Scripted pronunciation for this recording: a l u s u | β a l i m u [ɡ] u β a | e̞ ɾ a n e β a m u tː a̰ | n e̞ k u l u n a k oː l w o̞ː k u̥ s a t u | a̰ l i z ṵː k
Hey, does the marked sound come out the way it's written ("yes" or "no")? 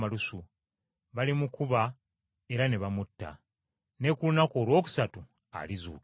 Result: no